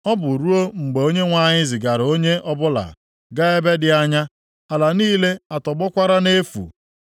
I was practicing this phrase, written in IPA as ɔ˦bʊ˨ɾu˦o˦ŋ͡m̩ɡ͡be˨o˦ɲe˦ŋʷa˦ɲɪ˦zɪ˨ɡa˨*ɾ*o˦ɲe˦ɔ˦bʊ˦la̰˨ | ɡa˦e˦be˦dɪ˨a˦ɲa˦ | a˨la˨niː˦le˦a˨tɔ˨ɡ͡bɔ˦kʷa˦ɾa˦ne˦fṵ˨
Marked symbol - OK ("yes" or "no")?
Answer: yes